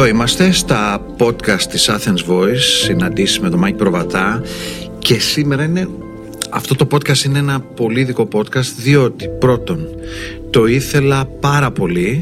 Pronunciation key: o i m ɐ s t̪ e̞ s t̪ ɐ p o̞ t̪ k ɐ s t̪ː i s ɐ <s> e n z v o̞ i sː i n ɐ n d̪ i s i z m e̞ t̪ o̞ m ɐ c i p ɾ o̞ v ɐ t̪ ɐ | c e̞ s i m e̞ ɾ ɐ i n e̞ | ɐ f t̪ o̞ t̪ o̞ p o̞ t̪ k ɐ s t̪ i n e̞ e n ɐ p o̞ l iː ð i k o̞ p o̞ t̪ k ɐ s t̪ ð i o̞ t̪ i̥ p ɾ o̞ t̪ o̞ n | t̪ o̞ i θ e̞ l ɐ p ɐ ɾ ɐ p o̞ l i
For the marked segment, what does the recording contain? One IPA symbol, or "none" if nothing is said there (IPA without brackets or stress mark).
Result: θ